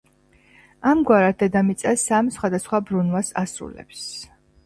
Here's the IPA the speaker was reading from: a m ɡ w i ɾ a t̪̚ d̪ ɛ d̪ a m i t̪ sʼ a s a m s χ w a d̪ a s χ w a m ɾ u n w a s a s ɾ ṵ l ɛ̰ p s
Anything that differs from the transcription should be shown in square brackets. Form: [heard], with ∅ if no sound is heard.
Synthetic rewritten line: a m ɡ w [a] ɾ a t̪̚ d̪ ɛ d̪ a m i t̪ sʼ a s a m s χ w a d̪ a s χ w a [b] ɾ u n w a s a s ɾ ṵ l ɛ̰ p s